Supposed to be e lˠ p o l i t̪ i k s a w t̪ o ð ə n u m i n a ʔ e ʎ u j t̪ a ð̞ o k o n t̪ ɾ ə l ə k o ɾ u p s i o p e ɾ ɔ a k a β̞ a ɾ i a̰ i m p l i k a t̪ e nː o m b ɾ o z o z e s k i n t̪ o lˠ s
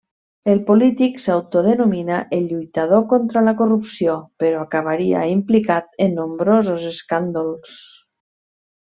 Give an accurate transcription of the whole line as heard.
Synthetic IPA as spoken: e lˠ p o l i t̪ i k s a w t̪ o ð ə n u m i n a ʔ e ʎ u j t̪ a ð̞ o k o n t̪ ɾ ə l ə k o r u p s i o p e ɾ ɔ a k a β̞ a ɾ i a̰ i m p l i k a t̪ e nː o m b ɾ o z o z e s k a n d̪ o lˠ s